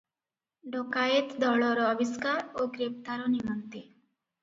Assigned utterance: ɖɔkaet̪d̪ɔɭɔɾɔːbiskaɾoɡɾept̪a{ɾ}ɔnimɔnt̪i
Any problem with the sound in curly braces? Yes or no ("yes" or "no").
no